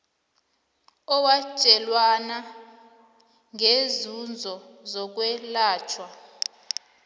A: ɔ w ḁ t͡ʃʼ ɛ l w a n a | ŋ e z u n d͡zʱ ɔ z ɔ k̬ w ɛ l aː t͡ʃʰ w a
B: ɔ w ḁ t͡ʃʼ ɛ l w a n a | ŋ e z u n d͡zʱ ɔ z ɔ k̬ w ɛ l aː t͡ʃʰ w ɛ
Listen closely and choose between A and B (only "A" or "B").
A